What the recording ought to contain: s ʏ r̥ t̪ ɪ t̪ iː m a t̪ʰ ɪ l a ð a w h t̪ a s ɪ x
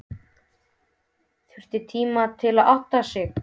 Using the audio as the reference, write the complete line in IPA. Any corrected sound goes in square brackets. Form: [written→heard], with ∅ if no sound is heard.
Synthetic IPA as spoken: [s→θ] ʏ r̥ t̪ ɪ [t̪→t̪ʰ] iː m a t̪ʰ ɪ l a ð a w h t̪ a s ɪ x